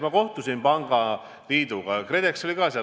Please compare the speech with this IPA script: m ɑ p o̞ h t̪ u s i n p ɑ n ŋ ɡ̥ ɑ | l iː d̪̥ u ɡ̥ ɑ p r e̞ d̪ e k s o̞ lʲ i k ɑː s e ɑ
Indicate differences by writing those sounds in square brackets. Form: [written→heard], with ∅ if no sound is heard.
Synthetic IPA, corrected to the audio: m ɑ [p→k] o̞ h t̪ u s i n p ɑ [n→∅] ŋ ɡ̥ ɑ | l iː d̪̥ u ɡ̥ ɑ [p→k] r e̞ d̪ e k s o̞ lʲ i k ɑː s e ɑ

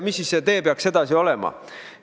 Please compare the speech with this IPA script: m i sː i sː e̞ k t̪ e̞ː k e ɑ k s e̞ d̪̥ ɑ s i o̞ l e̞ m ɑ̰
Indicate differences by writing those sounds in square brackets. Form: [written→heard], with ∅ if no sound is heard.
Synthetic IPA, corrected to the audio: m i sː i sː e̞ [k→∅] t̪ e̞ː [k→p] e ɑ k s e̞ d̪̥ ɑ s i o̞ l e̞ m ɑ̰

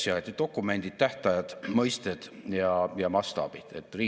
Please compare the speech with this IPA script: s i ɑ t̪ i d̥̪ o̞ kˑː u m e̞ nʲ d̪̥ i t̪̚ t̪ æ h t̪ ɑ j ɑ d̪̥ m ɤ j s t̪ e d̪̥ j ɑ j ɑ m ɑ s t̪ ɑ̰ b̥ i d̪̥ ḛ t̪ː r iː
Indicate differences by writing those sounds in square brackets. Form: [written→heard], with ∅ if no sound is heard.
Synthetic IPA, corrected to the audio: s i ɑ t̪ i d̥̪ o̞ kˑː u m e̞ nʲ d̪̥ i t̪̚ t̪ æ h t̪ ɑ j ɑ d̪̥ m ɤ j s t̪ e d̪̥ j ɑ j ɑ m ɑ s t̪ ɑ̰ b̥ i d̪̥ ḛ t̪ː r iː

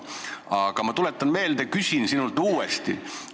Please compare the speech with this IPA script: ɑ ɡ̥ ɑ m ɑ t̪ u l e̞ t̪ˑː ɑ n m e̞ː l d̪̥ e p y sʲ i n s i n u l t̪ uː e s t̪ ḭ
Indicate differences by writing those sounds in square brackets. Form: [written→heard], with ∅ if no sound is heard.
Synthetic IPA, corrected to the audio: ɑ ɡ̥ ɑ m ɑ t̪ u l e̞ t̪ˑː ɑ n m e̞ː l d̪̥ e [p→k] y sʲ i n s i n u l t̪ uː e s t̪ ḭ

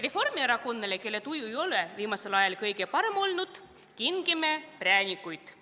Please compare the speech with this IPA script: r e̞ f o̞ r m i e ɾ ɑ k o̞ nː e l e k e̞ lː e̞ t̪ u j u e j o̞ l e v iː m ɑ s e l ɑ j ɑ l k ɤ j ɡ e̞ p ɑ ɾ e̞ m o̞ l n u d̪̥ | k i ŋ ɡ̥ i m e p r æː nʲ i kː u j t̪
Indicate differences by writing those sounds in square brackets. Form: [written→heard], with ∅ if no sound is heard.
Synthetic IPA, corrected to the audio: r e̞ f o̞ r m i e ɾ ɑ k o̞ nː e l e k e̞ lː e̞ t̪ u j u e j o̞ l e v iː m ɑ s e l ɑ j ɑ l k ɤ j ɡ e̞ p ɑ ɾ e̞ m o̞ l n u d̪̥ | k i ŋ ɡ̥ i m e p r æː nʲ i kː u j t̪

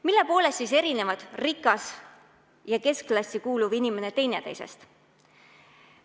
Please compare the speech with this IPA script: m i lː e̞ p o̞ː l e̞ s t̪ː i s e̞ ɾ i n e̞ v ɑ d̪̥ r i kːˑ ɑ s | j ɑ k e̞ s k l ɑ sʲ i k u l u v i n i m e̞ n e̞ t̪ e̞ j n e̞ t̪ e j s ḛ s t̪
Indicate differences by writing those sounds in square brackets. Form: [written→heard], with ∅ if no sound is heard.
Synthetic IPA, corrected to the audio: m i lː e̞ p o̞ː l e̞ s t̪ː i s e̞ ɾ i n e̞ v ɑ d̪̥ r i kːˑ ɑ s | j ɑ k e̞ s k l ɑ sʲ i k [u→uː] l u v i n i m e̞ n e̞ t̪ e̞ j n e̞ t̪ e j s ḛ s t̪

